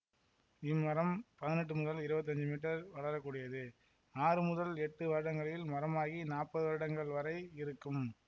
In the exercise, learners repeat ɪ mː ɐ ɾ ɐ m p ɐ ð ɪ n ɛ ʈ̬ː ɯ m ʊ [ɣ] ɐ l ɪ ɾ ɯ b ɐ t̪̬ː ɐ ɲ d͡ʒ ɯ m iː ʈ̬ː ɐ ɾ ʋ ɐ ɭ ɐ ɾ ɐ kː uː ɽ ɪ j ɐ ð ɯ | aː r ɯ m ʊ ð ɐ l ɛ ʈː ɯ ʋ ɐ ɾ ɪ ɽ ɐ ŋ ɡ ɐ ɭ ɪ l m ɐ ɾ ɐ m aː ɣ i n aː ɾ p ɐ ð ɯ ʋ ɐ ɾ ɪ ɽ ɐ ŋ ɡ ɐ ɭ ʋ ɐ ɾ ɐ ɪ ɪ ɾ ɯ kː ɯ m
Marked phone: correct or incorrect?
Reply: incorrect